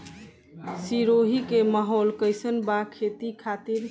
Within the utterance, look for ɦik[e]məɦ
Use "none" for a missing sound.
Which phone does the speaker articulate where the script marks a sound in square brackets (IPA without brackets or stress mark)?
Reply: e